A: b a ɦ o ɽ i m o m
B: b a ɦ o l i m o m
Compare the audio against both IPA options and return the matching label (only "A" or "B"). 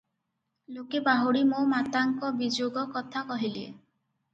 A